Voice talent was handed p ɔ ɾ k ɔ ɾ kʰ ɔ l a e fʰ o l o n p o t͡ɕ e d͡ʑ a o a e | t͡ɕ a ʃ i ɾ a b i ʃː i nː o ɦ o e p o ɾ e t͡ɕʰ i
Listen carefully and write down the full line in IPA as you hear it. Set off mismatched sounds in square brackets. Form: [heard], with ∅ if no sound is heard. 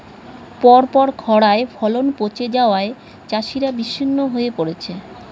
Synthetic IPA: p ɔ ɾ [p] ɔ ɾ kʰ ɔ [ɽ] a e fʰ [ɔ] l o n p o t͡ɕ e d͡ʑ a o a e | t͡ɕ a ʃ i ɾ a b i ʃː i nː o ɦ o e p o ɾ e t͡ɕʰ [e]